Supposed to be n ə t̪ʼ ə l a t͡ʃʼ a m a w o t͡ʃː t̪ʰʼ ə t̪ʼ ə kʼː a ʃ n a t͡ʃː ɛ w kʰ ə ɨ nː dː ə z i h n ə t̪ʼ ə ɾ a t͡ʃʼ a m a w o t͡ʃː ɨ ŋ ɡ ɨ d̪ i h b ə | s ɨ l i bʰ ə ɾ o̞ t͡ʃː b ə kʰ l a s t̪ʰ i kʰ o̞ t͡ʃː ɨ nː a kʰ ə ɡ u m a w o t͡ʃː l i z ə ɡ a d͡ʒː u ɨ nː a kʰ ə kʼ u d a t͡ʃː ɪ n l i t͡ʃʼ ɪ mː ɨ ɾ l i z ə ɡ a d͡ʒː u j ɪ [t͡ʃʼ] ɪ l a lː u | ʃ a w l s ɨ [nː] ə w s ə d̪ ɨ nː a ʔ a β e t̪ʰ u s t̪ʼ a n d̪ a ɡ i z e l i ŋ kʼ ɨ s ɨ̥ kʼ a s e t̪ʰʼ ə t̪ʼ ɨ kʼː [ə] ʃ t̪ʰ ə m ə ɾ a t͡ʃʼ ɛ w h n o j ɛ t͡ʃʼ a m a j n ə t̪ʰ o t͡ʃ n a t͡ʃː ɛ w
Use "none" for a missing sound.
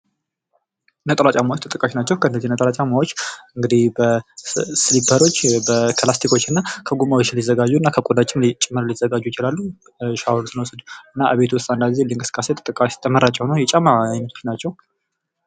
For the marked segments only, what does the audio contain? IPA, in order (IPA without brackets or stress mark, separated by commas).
t͡ʃ, n, a